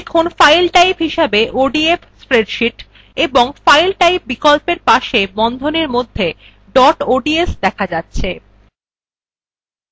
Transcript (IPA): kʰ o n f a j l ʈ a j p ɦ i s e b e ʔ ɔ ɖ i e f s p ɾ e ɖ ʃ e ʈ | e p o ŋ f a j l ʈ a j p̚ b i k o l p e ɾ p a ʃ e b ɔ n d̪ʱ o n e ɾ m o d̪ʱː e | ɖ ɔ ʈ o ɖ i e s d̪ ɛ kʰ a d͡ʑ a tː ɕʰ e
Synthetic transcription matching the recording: kʰ o n f a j l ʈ a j p ɦ i ʃ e b e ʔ o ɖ i e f s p ɾ e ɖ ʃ i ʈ | e b o ŋ f a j l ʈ a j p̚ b i k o l p e ɾ p a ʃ e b ɔ n d̪ʱ o n e ɾ m o d̪ʱː e | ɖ ɔ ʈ o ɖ i e s d̪ ɛ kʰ a d͡ʑ a tː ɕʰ e